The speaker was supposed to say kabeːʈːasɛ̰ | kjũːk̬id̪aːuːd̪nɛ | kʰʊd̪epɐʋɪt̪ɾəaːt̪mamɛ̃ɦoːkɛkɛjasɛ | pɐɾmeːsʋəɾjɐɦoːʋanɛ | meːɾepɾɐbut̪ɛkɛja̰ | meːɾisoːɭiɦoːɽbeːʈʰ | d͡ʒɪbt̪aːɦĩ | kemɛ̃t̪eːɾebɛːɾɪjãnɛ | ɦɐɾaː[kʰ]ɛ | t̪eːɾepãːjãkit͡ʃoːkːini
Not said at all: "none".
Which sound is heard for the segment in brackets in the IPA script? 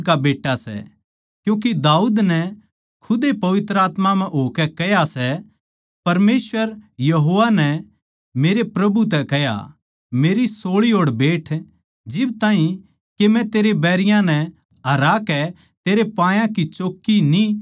k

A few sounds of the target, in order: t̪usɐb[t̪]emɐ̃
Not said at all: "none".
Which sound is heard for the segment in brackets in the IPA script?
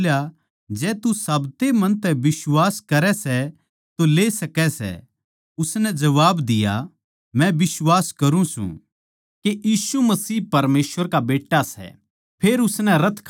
t̪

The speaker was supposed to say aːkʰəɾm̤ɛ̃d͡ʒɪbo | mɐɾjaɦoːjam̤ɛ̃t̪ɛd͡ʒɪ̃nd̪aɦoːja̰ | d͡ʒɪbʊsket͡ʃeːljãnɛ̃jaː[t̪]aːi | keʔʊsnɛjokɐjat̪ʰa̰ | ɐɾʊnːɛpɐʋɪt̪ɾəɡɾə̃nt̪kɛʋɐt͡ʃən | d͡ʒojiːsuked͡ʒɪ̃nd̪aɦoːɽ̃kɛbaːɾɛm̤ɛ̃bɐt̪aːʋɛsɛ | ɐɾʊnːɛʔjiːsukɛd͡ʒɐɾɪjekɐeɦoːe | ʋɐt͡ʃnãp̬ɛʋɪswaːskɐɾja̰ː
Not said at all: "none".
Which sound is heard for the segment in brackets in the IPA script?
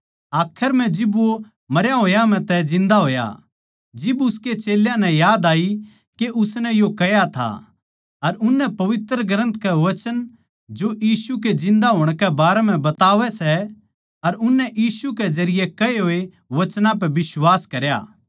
d̪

